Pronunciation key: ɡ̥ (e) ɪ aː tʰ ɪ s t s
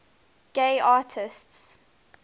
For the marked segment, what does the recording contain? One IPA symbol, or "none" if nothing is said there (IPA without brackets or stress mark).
e